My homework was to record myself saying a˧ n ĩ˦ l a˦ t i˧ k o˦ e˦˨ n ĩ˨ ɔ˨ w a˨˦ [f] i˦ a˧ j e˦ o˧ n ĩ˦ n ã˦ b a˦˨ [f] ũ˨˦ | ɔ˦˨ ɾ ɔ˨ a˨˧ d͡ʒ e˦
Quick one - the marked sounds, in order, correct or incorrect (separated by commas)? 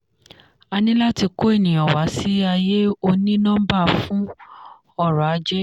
incorrect, correct